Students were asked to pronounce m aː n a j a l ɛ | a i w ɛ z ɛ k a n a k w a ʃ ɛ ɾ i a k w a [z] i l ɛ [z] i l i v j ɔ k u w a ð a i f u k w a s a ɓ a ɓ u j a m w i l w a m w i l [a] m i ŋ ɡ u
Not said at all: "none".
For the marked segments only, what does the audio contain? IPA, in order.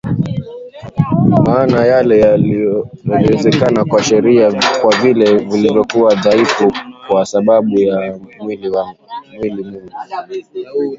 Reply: v, v, i

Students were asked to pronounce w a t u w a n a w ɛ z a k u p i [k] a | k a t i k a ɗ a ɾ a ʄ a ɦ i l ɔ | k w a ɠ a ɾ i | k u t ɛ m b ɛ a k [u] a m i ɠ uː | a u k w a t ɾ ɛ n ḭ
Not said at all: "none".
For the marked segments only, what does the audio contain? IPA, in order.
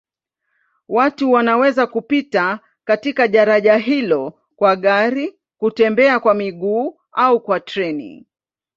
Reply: t, w

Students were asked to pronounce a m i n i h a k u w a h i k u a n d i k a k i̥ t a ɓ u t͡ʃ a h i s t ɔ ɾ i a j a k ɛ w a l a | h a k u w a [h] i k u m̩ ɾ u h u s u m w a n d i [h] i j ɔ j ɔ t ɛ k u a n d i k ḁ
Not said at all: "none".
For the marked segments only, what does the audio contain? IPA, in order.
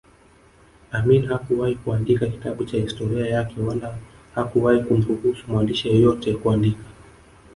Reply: h, ʃ

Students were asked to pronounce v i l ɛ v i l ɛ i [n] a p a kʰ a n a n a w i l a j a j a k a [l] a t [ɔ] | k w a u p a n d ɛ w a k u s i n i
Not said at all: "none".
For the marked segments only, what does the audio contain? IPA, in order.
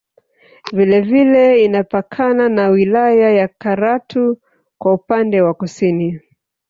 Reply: n, ɾ, u

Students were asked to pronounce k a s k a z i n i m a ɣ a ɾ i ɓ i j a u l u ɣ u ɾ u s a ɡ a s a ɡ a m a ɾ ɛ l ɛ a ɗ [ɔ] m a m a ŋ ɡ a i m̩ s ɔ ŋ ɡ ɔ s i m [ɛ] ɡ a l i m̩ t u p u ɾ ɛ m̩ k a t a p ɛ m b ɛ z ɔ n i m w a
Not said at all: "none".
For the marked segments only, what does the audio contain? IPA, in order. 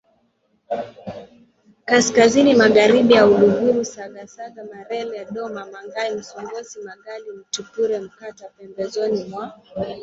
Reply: ɔ, a

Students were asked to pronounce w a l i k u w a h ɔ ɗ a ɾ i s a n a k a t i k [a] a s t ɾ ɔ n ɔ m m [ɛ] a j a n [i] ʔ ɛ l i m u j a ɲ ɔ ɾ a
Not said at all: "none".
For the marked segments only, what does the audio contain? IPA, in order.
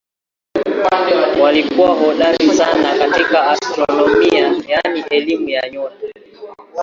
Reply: a, i, i

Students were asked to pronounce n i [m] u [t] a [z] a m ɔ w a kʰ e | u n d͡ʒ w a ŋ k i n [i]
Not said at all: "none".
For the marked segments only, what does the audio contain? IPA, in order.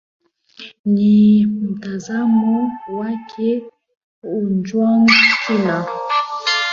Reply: m, t, z, a

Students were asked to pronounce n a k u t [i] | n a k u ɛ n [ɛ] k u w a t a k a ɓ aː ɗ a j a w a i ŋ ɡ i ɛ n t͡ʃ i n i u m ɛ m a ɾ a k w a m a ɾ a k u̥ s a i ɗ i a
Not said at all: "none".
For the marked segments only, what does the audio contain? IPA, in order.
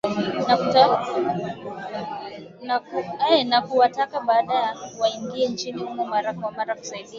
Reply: a, a

